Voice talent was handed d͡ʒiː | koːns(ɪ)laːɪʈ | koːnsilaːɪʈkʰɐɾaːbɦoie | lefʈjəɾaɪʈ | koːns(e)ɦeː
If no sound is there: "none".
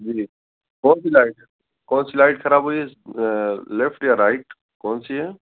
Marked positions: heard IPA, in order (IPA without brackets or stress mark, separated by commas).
i, i